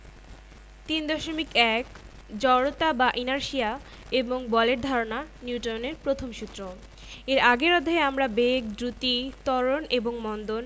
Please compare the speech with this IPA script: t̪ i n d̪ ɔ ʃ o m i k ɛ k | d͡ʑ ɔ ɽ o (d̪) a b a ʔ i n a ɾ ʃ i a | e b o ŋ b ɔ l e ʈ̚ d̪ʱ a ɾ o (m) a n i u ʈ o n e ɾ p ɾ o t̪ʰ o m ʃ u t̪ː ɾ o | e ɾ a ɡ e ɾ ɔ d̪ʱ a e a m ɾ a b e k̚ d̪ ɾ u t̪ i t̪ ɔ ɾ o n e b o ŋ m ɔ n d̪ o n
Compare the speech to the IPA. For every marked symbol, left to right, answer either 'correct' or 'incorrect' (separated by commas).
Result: incorrect, incorrect